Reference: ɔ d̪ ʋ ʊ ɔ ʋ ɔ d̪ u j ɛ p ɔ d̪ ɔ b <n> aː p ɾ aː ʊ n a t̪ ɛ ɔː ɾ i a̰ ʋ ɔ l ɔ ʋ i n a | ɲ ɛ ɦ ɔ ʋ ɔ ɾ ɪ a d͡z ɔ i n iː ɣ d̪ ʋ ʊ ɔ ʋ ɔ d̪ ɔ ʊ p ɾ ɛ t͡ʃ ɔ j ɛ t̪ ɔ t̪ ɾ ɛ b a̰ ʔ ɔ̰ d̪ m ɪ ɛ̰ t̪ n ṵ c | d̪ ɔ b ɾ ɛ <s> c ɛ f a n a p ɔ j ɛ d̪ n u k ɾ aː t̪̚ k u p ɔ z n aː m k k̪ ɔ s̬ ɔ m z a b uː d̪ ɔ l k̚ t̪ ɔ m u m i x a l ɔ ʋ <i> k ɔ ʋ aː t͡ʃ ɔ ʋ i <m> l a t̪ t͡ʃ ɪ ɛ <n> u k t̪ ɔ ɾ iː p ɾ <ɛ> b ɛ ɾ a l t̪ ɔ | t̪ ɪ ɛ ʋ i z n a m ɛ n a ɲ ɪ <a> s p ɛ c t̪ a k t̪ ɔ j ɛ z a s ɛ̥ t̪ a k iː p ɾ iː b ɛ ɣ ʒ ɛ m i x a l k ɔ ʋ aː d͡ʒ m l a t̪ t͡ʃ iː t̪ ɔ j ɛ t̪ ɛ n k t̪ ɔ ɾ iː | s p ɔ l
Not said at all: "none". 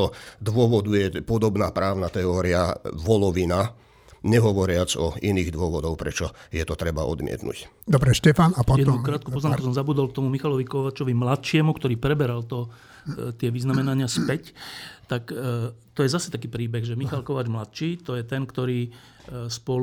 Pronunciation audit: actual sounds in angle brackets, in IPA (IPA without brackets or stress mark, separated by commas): n, ʃ, i, m, m, ɛ, a